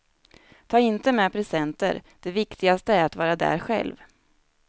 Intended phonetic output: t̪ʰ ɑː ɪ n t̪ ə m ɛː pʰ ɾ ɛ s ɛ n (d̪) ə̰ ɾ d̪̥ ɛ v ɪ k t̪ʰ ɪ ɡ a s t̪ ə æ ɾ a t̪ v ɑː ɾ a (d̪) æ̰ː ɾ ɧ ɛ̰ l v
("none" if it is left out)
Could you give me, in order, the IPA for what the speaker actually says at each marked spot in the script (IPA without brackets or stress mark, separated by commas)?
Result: t̪, d̪